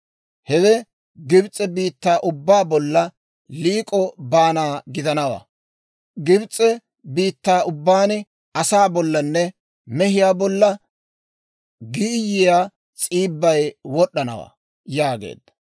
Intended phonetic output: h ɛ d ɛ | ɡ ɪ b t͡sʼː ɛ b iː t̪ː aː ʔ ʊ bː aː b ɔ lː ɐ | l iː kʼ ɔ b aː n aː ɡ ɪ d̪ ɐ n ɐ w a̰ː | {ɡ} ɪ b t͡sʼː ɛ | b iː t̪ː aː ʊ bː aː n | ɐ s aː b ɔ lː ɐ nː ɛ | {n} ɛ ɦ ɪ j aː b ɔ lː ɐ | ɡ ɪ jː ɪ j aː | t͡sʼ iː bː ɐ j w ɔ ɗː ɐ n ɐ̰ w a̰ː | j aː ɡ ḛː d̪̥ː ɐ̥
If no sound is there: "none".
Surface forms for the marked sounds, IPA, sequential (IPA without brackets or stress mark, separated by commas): ɡ, m